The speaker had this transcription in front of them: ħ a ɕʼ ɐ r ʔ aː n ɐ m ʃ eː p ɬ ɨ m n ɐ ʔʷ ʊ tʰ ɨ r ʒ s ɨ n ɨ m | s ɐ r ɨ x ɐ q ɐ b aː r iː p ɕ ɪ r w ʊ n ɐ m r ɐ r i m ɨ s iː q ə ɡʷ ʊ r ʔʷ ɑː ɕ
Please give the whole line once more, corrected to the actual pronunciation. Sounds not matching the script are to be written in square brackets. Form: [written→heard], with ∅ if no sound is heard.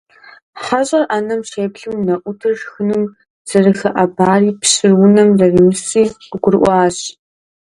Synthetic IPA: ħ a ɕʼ ɐ r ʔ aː n ɐ m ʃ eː p ɬ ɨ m n ɐ ʔʷ ʊ tʰ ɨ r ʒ [s→x] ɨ n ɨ m | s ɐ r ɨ x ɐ [q→ʔ] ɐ b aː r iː p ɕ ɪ r w ʊ n ɐ m r ɐ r i m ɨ s iː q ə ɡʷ ʊ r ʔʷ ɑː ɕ